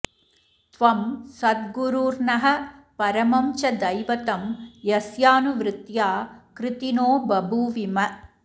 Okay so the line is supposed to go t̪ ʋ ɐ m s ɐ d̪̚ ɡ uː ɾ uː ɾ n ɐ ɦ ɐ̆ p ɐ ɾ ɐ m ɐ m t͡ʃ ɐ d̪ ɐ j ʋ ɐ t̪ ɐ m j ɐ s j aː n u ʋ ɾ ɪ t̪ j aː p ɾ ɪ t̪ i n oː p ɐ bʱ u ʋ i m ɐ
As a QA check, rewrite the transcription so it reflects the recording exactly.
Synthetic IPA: t̪ ʋ ɐ m s ɐ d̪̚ ɡ u ɾ uː ɾ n ɐ ɦ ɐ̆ p ɐ ɾ ɐ m ɐ m t͡ʃ ɐ d̪ ɐ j ʋ ɐ t̪ ɐ m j ɐ s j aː n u ʋ ɾ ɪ t̪ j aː k ɾ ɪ t̪ i n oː b ɐ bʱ u ʋ i m ɐ

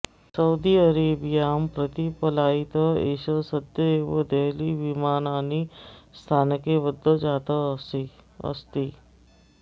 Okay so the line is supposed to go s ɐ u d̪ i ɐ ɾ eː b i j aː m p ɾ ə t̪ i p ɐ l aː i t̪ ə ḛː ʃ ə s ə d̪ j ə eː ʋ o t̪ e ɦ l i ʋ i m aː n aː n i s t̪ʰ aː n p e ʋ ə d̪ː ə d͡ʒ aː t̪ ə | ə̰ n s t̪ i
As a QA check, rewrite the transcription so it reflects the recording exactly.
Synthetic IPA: s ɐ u d̪ i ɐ ɾ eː b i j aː m p ɾ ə t̪ i p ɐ l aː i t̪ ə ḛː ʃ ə s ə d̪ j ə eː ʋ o d̪ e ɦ l i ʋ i m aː n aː n i s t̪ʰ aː n k e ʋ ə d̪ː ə d͡ʒ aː t̪ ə | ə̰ s t̪ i

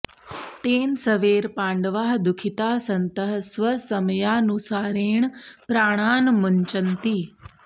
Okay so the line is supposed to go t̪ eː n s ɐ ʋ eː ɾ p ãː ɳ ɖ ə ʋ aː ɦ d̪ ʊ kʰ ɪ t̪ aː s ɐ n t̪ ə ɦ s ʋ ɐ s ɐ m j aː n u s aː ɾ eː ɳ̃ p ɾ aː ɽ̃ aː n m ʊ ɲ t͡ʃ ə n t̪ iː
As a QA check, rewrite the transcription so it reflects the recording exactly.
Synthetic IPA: t̪ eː n s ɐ ʋ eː ɾ p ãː ɳ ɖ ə ʋ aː ɦ d̪ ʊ kʰ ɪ t̪ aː s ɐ n t̪ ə ɦ s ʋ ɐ s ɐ m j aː n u s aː ɾ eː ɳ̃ p ɾ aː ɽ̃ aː n m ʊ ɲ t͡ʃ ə n t̪ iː

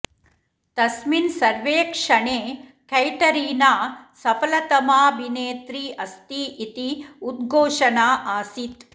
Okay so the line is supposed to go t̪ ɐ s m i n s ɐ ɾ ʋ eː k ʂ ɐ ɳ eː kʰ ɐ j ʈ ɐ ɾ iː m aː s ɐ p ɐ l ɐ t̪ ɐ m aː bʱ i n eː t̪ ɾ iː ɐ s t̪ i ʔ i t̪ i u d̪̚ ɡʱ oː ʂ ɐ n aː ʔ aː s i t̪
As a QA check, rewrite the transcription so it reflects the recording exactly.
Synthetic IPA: t̪ ɐ s m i n s ɐ ɾ ʋ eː k ʂ ɐ ɳ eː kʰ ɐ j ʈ ɐ ɾ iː n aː s ɐ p ɐ l ɐ t̪ ɐ m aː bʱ i n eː t̪ ɾ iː ɐ s t̪ i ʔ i t̪ i u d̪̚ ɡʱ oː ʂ ɐ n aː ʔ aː s i t̪

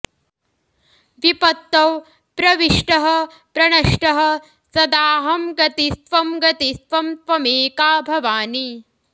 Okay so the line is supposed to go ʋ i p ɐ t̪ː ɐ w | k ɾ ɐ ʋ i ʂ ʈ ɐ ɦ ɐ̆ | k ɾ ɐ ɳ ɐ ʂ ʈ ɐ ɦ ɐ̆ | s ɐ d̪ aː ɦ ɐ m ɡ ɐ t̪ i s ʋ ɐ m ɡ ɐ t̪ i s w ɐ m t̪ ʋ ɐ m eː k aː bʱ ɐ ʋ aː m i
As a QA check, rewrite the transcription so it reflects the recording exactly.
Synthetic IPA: ʋ i p ɐ t̪ː ɐ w | p ɾ ɐ ʋ i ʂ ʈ ɐ ɦ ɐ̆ | p ɾ ɐ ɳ ɐ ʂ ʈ ɐ ɦ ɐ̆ | s ɐ d̪ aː ɦ ɐ m ɡ ɐ t̪ i s ʋ ɐ m ɡ ɐ t̪ i s ʋ ɐ m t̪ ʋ ɐ m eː k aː bʱ ɐ ʋ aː n i

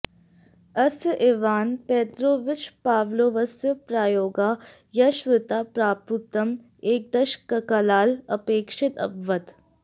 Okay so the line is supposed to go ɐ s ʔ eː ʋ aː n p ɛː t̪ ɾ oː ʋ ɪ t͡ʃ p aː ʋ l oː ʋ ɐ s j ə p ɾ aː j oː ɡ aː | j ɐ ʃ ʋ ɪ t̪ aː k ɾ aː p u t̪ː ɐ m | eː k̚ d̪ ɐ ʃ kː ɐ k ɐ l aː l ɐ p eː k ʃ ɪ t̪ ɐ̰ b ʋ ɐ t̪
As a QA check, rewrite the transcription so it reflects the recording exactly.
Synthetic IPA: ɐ s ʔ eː ʋ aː n p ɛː t̪ ɾ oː ʋ ɪ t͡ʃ p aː ʋ l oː ʋ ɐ s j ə p ɾ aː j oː ɡ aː | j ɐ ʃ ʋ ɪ t̪ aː p ɾ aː p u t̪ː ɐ m | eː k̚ d̪ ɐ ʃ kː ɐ k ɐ l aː l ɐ p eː k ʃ ɪ t̪ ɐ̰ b ʋ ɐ t̪

